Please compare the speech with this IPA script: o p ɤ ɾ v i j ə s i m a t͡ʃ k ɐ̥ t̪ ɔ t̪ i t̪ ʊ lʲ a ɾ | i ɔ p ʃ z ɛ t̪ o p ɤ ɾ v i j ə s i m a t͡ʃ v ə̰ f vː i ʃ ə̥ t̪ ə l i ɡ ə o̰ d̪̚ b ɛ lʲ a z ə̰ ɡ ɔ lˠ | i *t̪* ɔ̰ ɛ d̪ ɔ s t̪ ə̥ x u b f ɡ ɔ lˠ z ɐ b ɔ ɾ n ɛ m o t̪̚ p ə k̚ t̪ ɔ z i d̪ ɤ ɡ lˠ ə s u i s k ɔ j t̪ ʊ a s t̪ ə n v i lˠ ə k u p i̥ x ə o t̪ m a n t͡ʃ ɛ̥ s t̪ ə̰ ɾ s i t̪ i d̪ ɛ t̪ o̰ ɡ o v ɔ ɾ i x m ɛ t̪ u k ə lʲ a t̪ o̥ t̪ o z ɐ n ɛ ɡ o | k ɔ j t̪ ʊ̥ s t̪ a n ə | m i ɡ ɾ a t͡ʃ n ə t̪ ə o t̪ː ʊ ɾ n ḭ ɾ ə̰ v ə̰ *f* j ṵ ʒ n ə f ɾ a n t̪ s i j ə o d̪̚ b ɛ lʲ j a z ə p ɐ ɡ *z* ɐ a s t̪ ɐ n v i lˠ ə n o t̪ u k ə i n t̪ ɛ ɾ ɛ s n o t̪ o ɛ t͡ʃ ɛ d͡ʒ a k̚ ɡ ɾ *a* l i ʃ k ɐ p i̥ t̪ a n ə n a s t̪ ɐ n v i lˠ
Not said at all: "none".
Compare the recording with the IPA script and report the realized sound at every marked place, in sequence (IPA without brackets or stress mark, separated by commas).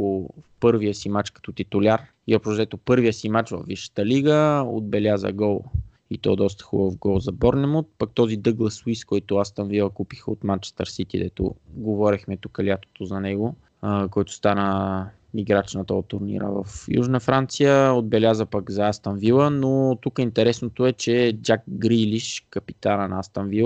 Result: t̪, f, z, i